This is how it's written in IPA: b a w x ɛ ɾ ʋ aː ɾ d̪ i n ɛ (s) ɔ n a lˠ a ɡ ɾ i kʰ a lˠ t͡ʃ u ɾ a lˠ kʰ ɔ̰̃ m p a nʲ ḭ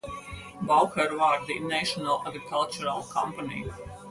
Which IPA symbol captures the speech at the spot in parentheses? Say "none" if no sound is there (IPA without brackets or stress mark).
ʃ